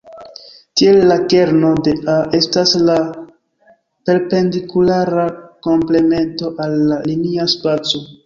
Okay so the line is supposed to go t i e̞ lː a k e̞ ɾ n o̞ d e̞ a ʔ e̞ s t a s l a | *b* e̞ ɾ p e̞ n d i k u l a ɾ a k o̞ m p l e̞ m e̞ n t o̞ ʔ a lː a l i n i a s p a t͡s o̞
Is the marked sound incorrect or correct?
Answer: incorrect: p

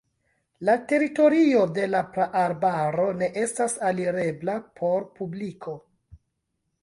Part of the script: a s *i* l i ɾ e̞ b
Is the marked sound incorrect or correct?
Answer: incorrect: a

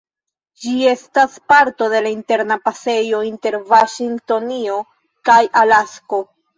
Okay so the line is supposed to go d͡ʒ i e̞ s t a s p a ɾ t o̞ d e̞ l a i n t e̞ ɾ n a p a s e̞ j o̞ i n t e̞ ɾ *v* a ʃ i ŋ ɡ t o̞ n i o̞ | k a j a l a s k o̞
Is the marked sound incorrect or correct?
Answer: correct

